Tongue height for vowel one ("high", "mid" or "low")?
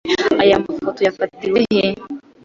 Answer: low